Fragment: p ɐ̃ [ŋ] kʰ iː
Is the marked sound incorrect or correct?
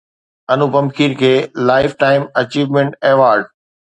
incorrect